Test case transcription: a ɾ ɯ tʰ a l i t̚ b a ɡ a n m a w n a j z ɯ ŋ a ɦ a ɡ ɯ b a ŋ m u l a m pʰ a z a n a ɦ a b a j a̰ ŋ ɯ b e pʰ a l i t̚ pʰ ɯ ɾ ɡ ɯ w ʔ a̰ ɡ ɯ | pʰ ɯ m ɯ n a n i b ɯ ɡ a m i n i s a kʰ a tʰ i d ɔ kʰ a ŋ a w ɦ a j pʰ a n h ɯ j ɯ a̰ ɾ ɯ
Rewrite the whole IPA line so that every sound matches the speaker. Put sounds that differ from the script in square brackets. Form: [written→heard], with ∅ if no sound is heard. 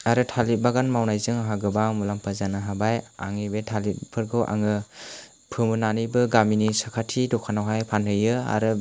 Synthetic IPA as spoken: a ɾ ɯ tʰ a l i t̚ b a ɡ a n m a w n a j z ɯ ŋ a ɦ a ɡ ɯ b a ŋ m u l a m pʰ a z a n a ɦ a b a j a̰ ŋ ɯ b e [pʰ→tʰ] a l i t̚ pʰ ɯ ɾ ɡ ɯ w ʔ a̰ [ɡ→ŋ] ɯ | pʰ ɯ m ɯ n a n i b ɯ ɡ a m i n i s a kʰ a tʰ i d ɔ kʰ a [ŋ→n] a w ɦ a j pʰ a n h ɯ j ɯ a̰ ɾ ɯ

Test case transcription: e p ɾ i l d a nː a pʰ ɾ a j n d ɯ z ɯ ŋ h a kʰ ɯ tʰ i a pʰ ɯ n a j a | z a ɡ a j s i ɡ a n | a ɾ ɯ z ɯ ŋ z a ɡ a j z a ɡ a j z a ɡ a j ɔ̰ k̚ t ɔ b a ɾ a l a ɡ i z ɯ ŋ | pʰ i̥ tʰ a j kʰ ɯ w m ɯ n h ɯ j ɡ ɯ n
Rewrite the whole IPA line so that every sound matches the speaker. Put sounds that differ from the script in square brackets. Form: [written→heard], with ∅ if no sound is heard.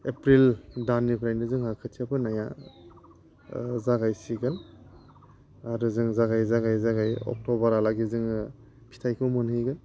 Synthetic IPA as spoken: e p ɾ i l d a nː [a→i] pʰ ɾ a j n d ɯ z ɯ ŋ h a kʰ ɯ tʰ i a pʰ ɯ n a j a | z a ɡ a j s i ɡ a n | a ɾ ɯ z ɯ ŋ z a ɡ a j z a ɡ a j z a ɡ a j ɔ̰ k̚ t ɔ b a ɾ a l a ɡ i z ɯ ŋ | pʰ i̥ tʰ a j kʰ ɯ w m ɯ n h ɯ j ɡ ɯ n

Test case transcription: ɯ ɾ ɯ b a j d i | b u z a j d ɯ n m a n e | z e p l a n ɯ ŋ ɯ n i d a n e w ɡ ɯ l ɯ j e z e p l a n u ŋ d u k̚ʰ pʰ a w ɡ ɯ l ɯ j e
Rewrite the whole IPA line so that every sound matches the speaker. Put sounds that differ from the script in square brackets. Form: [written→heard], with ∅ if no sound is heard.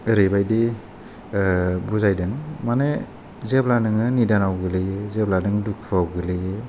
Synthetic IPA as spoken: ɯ ɾ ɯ b a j d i | b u z a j d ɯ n m a n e | z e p l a n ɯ ŋ ɯ n i d a n [e→a] w ɡ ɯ l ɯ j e z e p l a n [u→ɯ] ŋ d u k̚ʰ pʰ a w ɡ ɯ l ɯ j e

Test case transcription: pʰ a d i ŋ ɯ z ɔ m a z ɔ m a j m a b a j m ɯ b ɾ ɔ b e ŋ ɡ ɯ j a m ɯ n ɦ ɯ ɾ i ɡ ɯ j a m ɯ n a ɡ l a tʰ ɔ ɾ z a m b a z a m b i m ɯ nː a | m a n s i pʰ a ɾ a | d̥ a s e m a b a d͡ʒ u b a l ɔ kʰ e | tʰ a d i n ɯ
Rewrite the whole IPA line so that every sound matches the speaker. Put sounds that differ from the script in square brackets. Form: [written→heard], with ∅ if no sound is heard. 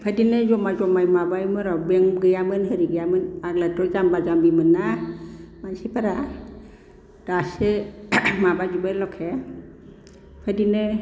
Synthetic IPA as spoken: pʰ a d i [ŋ→n] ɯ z ɔ m a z ɔ m a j m a b a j m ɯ [b→∅] ɾ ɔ b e ŋ ɡ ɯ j a m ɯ n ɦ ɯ ɾ i ɡ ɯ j a m ɯ n a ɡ l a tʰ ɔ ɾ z a m b a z a m b i m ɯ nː a | m a n s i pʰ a ɾ a | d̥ a s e m a b a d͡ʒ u b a l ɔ kʰ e | [tʰ→pʰ] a d i n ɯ

